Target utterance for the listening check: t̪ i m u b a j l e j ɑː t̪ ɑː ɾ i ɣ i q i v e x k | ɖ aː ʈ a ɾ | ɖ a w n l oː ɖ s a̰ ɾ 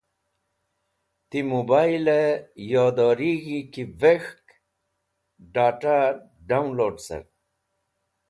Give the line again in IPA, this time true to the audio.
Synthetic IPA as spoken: t̪ i m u b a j l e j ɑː d̪ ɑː ɾ i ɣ i k i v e x k | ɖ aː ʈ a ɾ | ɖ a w n l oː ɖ s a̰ ɾ

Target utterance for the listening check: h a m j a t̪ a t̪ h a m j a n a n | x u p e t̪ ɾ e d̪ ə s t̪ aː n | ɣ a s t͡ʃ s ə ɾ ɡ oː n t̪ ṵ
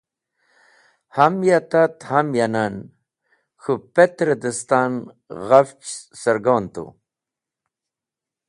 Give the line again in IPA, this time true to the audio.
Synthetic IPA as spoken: h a m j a t̪ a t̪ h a m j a n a n | x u p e t̪ ɾ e d̪ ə s t̪ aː n | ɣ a f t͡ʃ s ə ɾ ɡ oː n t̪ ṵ

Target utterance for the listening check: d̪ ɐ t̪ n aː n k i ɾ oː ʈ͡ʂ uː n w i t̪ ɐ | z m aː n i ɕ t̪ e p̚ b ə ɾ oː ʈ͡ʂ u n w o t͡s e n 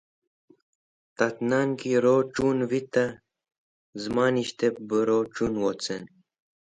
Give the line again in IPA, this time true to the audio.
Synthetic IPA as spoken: t̪ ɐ t̪ n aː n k i ɾ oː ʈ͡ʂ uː n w i t̪ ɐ | z m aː n i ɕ t̪ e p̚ b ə ɾ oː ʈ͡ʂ u n w o t͡s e n

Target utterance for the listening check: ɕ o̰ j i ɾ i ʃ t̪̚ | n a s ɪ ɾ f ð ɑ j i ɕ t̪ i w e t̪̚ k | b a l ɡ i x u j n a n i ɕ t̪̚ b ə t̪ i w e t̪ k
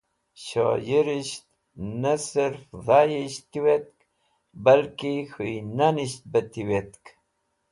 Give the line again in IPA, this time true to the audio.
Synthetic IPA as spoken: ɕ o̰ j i ɾ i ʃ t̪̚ | n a s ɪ ɾ f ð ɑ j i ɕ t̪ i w e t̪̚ k | b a l k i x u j n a n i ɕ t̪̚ b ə t̪ i w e t̪ k

